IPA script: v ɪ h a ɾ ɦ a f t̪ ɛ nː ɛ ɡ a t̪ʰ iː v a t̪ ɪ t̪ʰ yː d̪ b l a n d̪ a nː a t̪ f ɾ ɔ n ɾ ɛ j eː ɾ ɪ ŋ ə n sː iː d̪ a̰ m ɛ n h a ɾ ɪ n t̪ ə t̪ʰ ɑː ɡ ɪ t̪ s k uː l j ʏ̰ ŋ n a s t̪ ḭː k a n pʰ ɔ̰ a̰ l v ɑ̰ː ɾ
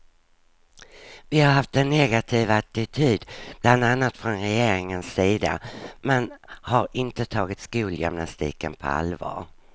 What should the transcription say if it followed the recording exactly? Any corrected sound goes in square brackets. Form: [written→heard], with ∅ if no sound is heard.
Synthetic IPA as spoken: v ɪ h a ɾ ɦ a f t̪ ɛ nː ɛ ɡ a t̪ʰ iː v a t̪ ɪ t̪ʰ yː d̪ b l a n d̪ a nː a t̪ f ɾ ɔ n ɾ ɛ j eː ɾ ɪ ŋ ə n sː iː d̪ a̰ m ɛ n h a ɾ ɪ n t̪ ə t̪ʰ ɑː ɡ ɪ t̪ s k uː l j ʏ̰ [ŋ→m] n a s t̪ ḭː k [a→ə] n pʰ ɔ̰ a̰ l v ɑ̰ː ɾ